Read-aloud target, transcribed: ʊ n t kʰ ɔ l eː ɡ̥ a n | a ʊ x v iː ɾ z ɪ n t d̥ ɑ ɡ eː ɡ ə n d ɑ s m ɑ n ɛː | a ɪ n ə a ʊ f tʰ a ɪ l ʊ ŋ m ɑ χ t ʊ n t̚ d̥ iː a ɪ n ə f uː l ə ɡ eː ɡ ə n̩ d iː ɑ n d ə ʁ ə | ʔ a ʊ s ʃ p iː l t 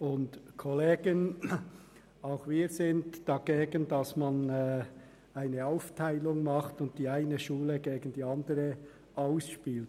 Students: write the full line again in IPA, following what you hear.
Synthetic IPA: ʊ n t kʰ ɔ l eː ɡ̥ ə n | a ʊ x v iː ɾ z ɪ n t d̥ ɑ ɡ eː ɡ ə n d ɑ s m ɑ n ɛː | a ɪ n ə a ʊ f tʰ a ɪ l ʊ ŋ m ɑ χ t ʊ n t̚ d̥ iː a ɪ n ə ʃ uː l ə ɡ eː ɡ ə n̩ d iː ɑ n d ə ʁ ə | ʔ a ʊ s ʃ p iː l t